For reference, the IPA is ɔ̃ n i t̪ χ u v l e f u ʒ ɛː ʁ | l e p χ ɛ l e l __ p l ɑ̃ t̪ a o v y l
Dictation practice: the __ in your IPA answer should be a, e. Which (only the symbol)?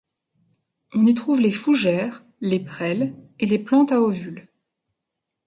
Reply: e